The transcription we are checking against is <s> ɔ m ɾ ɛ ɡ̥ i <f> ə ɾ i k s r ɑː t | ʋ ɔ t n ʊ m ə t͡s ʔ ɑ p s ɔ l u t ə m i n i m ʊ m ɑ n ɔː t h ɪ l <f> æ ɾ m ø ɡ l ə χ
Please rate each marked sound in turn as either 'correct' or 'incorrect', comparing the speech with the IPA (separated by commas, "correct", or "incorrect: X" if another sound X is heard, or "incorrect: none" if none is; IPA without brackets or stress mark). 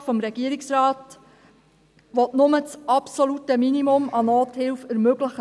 incorrect: f, incorrect: none, correct